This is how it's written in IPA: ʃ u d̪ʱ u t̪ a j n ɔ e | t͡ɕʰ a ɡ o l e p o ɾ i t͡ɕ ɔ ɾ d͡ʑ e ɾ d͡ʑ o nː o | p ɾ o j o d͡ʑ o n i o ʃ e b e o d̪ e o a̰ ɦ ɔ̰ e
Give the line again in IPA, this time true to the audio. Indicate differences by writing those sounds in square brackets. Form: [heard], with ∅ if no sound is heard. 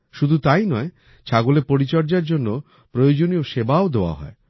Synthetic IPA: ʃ u d̪ʱ u t̪ a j n ɔ e | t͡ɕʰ a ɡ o l e p o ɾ i t͡ɕ ɔ ɾ d͡ʑ [a] ɾ d͡ʑ o nː o | p ɾ o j o d͡ʑ o n i o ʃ e b [a] o d̪ e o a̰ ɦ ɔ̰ e